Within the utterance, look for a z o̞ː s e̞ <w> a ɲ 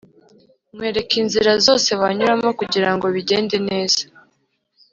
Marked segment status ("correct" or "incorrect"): incorrect